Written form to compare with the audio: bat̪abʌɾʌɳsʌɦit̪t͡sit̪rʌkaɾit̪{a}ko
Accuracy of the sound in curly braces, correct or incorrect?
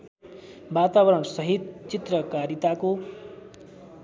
correct